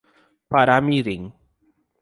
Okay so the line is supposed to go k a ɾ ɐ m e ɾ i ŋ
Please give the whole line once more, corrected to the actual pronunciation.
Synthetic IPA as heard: p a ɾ a m i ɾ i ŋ